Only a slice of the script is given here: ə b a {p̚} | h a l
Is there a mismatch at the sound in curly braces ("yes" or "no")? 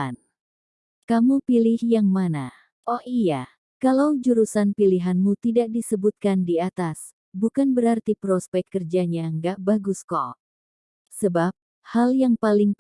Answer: no